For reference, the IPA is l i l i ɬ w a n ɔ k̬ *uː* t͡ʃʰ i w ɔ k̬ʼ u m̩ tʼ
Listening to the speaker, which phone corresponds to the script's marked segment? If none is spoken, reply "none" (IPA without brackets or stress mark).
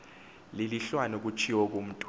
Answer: u